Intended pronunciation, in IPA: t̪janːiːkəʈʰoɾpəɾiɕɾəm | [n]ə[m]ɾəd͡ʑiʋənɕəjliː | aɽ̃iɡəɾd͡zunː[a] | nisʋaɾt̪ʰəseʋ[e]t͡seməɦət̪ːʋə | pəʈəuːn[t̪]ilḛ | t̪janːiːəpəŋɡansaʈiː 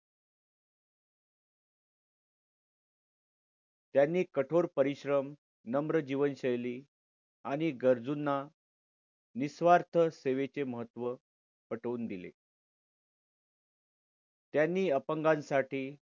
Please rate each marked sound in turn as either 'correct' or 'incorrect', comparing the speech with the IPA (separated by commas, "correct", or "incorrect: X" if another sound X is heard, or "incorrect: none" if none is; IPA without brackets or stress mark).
correct, correct, correct, correct, incorrect: d̪